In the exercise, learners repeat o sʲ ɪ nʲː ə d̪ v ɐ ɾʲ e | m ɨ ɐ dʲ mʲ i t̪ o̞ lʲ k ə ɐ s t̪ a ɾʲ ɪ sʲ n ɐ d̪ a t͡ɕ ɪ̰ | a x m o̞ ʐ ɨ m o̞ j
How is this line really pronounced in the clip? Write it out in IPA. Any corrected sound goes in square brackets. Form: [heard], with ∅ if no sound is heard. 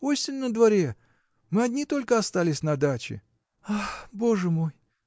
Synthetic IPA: o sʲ ɪ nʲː ə d̪ v ɐ ɾʲ e | m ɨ ɐ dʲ [nʲ] i t̪ o̞ lʲ k ə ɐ s t̪ a [lʲ] ɪ sʲ n ɐ d̪ a t͡ɕ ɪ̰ | a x [b] o̞ ʐ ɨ m o̞ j

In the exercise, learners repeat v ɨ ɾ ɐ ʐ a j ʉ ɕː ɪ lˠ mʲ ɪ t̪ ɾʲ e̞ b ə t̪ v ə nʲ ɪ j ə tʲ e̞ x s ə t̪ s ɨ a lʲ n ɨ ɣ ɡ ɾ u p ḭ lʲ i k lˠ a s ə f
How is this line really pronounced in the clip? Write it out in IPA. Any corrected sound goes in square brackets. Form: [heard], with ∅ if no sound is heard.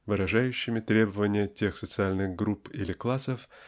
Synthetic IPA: v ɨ ɾ ɐ ʐ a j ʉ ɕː ɪ [∅] mʲ ɪ t̪ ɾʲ e̞ b ə [∅] v ə nʲ ɪ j ə tʲ e̞ x s ə t̪ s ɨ a lʲ n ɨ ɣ ɡ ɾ u p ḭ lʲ [ɪ] k lˠ a s ə f

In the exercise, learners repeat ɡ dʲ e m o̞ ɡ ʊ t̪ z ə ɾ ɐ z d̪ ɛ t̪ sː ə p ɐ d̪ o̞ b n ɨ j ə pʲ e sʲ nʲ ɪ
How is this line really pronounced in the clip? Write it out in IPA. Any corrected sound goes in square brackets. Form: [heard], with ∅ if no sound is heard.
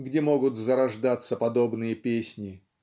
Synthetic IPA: ɡ dʲ e m o̞ ɡ ʊ t̪ z ə ɾ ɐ [ʐ] d̪ [a] t̪ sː ə p ɐ d̪ o̞ b n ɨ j ə pʲ e sʲ nʲ ɪ

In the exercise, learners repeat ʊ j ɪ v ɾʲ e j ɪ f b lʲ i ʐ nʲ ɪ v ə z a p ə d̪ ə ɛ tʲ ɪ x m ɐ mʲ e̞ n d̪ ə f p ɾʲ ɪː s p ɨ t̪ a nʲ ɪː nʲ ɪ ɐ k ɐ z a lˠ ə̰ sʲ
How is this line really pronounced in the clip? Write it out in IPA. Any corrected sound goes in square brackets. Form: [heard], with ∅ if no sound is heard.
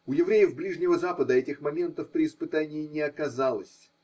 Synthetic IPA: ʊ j ɪ v ɾʲ e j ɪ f b lʲ i ʐ nʲ ɪ v ə z a p ə d̪ ə ɛ tʲ ɪ x m ɐ mʲ e̞ n [t̪] ə f p ɾʲ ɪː s p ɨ t̪ a nʲ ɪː nʲ ɪ ɐ k ɐ z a lˠ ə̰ sʲ

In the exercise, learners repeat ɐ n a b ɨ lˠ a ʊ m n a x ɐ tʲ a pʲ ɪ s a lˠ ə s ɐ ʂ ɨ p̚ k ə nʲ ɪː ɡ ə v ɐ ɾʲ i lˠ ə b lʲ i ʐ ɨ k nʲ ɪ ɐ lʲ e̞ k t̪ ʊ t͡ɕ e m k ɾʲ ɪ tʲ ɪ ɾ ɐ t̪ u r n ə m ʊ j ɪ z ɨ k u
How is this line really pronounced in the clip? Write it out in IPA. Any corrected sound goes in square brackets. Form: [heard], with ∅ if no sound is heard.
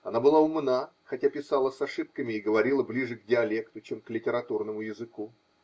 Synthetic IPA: ɐ n a b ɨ lˠ a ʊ m n a x ɐ tʲ a pʲ ɪ s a lˠ ə s ɐ ʂ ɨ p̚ k ə [mʲ] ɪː ɡ ə v ɐ ɾʲ i lˠ ə b lʲ i ʐ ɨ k [dʲ] ɪ ɐ lʲ e̞ k t̪ ʊ t͡ɕ e m k [lʲ] ɪ tʲ ɪ ɾ ɐ t̪ u r n ə m ʊ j ɪ z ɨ k u

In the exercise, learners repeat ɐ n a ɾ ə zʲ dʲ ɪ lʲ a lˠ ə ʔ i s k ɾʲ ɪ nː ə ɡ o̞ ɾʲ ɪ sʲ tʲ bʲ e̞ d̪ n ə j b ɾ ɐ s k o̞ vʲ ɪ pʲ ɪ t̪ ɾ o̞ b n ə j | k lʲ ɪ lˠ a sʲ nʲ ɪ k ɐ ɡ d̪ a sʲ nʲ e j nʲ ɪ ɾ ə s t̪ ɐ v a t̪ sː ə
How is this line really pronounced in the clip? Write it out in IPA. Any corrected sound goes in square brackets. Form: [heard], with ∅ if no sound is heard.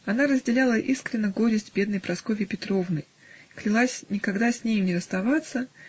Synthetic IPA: ɐ n a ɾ ə zʲ dʲ ɪ lʲ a lˠ ə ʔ i s k ɾʲ ɪ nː ə ɡ o̞ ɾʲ ɪ sʲ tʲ bʲ e̞ d̪ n ə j [p] ɾ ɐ s k o̞ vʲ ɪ pʲ ɪ t̪ ɾ o̞ [v] n ə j | k lʲ ɪ lˠ a sʲ nʲ ɪ k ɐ ɡ d̪ a sʲ nʲ e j nʲ ɪ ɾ ə s t̪ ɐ v a t̪ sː ə

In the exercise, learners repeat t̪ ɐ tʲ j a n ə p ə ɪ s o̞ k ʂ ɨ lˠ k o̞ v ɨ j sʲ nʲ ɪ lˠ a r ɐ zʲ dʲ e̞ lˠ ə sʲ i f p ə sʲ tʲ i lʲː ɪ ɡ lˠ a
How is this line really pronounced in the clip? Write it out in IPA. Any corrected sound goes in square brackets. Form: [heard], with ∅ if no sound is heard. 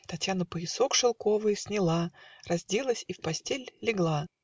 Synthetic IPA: t̪ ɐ tʲ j a n ə p ə ɪ s o̞ k ʂ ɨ lˠ k o̞ v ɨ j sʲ nʲ ɪ lˠ a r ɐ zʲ dʲ e̞ lˠ ə sʲ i f p [ɐ] sʲ tʲ [e] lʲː ɪ ɡ lˠ a

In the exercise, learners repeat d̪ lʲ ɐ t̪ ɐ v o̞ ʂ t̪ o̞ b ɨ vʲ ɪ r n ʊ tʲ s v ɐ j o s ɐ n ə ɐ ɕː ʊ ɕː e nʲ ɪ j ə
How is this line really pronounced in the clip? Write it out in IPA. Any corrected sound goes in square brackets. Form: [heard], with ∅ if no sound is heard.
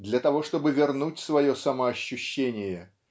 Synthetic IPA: d̪ lʲ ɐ t̪ ɐ v o̞ ʂ t̪ o̞ b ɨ vʲ ɪ r n [u] tʲ s v ɐ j o s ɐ [m] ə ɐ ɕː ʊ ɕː e nʲ ɪ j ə

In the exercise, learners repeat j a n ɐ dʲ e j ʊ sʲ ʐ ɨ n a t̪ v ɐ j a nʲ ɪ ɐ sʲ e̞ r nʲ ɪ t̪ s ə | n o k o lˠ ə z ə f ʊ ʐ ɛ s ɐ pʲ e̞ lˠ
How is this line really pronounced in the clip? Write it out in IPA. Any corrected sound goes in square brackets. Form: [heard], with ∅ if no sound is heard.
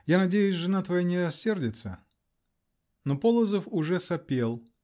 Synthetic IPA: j a n ɐ dʲ e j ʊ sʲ ʐ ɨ n a t̪ v ɐ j a nʲ ɪ ɐ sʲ e̞ r [dʲ] ɪ t̪ s ə | n o [p] o lˠ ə z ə f ʊ ʐ ɛ s ɐ pʲ e̞ lˠ

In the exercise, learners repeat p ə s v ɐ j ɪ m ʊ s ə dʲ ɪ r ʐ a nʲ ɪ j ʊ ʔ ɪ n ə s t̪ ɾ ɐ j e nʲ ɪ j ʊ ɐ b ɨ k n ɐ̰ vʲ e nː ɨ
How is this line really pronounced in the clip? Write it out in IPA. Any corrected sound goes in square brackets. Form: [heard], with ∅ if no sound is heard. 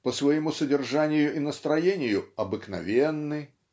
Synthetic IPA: p ə s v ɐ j ɪ m [u] s ə dʲ ɪ r ʐ a nʲ ɪ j ʊ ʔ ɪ n ə s t̪ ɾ ɐ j e nʲ ɪ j ʊ ɐ b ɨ k n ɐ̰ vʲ e nː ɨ

